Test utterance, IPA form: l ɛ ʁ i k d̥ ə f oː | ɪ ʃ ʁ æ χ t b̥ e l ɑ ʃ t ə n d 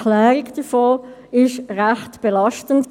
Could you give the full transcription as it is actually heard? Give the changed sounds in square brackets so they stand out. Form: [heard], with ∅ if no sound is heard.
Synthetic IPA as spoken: l [ɛː] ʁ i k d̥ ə f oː | ɪ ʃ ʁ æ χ t b̥ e l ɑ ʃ t ə n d